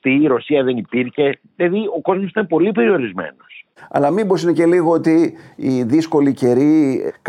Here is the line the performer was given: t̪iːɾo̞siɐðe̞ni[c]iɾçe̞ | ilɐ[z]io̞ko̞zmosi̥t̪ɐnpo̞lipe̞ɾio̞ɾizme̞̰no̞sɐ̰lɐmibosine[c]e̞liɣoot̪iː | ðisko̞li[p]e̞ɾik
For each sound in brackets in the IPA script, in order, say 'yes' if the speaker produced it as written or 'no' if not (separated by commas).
no, no, yes, no